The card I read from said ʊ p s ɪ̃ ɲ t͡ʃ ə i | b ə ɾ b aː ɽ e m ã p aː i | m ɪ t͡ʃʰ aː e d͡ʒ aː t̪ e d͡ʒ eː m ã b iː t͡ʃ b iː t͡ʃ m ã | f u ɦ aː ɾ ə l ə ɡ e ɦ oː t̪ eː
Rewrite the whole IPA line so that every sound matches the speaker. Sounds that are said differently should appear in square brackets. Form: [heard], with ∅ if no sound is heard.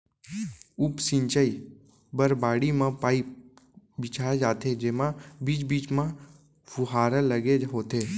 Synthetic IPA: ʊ p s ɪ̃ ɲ t͡ʃ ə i | b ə ɾ b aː ɽ [i] m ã p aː i | [b] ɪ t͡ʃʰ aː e d͡ʒ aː t̪ e d͡ʒ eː m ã b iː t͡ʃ b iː t͡ʃ m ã | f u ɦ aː ɾ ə l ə ɡ e ɦ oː t̪ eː